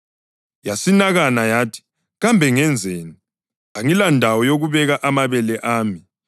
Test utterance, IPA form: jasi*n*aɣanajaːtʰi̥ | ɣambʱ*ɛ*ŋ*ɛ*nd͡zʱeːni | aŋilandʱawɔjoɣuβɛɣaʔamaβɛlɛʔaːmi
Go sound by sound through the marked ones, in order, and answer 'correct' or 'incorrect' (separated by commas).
correct, correct, correct